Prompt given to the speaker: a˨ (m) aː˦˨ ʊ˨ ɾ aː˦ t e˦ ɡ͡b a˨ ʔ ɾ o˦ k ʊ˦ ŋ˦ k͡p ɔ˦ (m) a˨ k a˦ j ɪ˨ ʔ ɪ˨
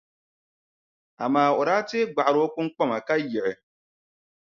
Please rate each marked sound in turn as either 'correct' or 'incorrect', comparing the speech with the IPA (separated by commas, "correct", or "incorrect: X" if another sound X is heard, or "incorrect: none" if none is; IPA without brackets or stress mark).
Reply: correct, correct